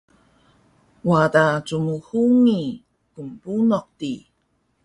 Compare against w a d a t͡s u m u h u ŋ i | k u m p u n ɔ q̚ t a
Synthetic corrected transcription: w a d a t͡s u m u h u ŋ i | k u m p u n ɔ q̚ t i